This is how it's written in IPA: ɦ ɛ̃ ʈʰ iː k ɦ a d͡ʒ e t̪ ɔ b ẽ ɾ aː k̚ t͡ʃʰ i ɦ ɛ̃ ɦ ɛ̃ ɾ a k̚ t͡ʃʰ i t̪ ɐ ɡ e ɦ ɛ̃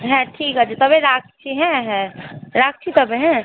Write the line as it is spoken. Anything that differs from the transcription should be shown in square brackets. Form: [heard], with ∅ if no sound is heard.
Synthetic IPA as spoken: ɦ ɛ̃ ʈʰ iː k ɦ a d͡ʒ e t̪ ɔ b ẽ ɾ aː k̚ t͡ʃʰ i ɦ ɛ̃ ɦ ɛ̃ ɾ a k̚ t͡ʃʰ i t̪ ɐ [b] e ɦ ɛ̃

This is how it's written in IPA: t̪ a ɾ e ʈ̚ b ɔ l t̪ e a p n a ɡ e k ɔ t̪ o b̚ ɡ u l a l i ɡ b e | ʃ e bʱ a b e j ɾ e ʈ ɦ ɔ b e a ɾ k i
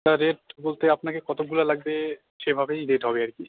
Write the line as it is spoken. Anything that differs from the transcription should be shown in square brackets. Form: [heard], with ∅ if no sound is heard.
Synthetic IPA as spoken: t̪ a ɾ e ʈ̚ b [o] l t̪ e a p n a [k] e k ɔ t̪ o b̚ ɡ u l a l [a] ɡ b e | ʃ e bʱ a b e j ɾ e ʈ ɦ ɔ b e a ɾ k i

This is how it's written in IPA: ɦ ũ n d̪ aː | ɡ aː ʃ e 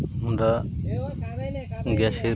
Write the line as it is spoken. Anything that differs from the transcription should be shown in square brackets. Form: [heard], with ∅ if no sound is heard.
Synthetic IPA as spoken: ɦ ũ n d̪ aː | ɡ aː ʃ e

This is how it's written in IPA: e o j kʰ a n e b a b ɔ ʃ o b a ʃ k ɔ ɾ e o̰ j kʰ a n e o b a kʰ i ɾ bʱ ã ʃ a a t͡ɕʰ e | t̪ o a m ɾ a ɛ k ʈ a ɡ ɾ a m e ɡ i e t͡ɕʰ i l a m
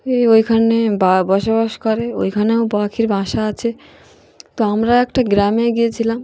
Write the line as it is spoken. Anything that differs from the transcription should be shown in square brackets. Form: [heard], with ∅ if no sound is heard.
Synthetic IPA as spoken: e o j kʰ a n e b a b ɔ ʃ o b a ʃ k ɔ ɾ e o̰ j kʰ a n e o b a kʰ i ɾ bʱ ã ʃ a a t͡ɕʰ e | t̪ o a m ɾ a ɛ k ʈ a ɡ ɾ a m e ɡ i e t͡ɕʰ i l a m

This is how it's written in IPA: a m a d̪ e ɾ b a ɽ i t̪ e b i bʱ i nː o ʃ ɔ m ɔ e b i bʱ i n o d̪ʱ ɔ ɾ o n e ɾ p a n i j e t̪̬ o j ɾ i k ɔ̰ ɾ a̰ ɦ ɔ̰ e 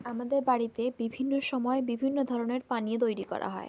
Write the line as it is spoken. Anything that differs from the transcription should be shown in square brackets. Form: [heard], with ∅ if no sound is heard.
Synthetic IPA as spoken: a m a d̪ e ɾ b a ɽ i t̪ e b i bʱ i nː o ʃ ɔ m ɔ e b i bʱ i [nː] o d̪ʱ ɔ ɾ o n e ɾ p a n i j e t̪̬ o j ɾ i k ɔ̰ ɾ a̰ ɦ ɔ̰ e

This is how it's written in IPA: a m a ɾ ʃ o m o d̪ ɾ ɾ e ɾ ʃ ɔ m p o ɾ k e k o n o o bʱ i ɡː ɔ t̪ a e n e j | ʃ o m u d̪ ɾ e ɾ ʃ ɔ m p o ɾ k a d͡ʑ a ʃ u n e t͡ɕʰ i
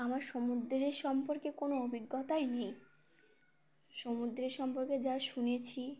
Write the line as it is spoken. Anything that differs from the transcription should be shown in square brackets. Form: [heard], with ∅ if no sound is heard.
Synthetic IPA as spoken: a m a ɾ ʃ o m [u] d̪ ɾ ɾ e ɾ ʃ ɔ m p o ɾ k e k o n o o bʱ i ɡː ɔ t̪ a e n e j | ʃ o m u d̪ ɾ e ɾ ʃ ɔ m p o ɾ k [e] d͡ʑ a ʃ u n e t͡ɕʰ i

